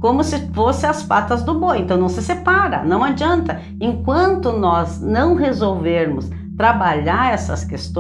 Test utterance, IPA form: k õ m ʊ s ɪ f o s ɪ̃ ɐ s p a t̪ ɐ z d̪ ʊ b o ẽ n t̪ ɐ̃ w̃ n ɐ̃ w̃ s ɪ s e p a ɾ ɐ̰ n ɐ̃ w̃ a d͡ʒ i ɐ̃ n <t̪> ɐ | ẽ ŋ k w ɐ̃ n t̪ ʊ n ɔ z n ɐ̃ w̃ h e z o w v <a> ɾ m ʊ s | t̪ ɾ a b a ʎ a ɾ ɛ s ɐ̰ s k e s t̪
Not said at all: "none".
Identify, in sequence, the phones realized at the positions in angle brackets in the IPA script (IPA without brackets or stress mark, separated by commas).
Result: t̪, e